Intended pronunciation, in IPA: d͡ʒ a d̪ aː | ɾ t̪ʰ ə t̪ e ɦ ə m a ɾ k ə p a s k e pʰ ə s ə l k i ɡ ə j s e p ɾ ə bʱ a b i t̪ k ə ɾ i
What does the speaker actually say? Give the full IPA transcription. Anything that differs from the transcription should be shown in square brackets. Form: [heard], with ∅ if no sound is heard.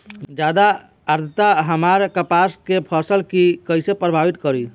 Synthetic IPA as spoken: d͡ʒ a d̪ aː | ɾ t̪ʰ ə t̪ [a] ɦ ə m a ɾ k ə p a s k e pʰ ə s ə l k i [k] ə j s e p ɾ ə bʱ a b i t̪ k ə ɾ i